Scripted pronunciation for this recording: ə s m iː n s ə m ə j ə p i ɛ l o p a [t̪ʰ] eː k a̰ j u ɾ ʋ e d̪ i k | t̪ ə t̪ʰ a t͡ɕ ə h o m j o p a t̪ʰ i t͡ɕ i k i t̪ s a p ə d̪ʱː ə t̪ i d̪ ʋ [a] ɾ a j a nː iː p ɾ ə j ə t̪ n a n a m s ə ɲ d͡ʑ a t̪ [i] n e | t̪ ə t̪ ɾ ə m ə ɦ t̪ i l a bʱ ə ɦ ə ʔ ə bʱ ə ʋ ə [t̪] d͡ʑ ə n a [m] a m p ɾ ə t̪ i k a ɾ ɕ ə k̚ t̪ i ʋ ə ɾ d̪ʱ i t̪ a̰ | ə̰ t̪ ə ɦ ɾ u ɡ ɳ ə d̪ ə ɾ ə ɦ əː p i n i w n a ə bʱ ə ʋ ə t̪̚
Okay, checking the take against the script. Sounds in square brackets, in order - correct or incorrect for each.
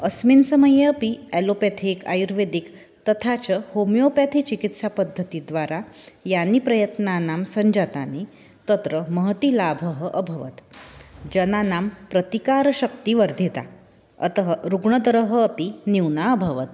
correct, correct, incorrect: a, correct, incorrect: n

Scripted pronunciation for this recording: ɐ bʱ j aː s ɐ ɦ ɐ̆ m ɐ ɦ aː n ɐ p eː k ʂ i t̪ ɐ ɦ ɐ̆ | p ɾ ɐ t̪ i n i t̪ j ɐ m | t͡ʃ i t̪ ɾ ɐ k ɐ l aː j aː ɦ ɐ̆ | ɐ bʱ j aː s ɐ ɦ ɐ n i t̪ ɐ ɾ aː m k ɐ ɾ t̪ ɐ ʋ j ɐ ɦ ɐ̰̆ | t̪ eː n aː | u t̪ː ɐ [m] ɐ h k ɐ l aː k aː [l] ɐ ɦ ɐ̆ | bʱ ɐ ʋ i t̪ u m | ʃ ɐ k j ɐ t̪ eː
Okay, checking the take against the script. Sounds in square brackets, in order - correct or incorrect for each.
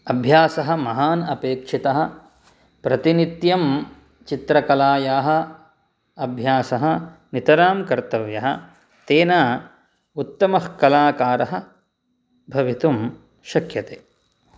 correct, incorrect: ɾ

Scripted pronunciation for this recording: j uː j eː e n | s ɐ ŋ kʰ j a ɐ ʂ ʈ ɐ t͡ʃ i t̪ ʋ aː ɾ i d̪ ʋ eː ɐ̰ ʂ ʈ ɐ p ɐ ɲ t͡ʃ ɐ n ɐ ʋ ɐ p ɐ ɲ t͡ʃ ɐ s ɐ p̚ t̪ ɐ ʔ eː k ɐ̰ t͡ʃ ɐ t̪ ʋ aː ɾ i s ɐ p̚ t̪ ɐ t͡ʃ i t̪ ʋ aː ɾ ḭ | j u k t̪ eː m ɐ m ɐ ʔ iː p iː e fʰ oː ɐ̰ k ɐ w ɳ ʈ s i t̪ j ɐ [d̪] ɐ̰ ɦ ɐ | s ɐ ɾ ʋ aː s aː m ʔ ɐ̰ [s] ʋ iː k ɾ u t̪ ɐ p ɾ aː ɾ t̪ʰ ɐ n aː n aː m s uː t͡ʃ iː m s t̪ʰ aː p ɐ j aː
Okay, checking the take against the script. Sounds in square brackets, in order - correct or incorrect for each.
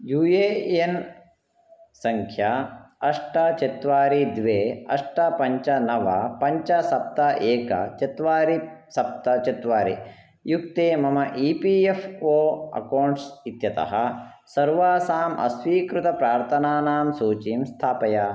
incorrect: t̪, correct

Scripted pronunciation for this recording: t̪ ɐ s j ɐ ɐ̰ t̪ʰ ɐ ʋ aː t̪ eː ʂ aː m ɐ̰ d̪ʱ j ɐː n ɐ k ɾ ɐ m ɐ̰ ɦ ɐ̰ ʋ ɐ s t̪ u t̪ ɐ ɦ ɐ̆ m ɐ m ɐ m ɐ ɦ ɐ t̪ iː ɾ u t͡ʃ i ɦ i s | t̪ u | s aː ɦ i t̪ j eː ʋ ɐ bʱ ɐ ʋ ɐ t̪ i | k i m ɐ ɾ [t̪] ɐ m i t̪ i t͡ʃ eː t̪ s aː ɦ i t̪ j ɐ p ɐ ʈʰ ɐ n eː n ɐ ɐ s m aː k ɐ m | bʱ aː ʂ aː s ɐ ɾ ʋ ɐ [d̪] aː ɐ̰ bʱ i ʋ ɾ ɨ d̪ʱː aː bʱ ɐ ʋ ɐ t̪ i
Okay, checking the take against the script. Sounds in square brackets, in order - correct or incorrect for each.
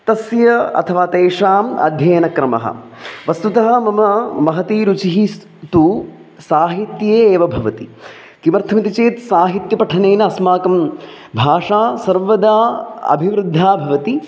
incorrect: t̪ʰ, correct

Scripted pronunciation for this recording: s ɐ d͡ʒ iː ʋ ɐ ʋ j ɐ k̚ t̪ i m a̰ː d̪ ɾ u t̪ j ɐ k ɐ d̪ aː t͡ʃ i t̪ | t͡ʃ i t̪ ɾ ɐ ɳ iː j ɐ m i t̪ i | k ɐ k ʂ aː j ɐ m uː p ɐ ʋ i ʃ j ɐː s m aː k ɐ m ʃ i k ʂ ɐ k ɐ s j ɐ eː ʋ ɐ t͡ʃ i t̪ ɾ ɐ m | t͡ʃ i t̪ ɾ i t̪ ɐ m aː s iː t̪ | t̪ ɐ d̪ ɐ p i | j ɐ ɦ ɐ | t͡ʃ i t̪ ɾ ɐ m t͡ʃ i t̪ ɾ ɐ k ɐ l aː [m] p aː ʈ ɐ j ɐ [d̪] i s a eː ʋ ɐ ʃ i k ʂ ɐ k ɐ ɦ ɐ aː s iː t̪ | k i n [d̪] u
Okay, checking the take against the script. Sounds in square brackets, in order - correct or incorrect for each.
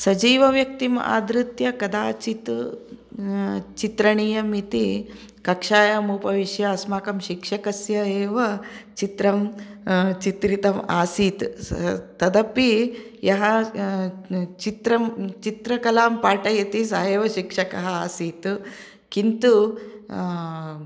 correct, incorrect: t̪, incorrect: t̪

